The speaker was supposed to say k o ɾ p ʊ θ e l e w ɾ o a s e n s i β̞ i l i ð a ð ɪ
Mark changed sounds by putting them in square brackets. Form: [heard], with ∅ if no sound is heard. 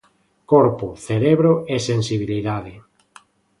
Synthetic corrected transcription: k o ɾ p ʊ θ e [ɾ] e [β] ɾ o [e] s e n s i β̞ i l i ð a ð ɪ